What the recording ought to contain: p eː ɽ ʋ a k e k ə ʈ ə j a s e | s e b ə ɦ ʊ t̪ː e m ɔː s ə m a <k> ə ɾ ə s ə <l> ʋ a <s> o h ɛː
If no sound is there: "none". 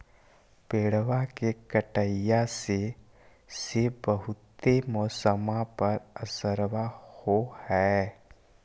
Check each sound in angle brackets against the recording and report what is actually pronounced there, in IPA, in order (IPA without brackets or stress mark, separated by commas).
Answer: p, ɾ, h